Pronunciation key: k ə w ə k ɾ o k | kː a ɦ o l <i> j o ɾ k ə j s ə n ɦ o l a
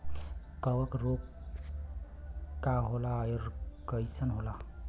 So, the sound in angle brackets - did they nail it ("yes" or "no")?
no